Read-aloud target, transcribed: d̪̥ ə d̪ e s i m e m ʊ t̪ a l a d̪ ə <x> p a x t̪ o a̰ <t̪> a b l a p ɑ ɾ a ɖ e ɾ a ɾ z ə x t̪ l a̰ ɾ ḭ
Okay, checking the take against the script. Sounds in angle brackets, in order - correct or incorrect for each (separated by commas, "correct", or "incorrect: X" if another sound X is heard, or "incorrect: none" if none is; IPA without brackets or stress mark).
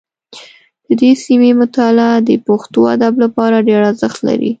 incorrect: none, incorrect: d̪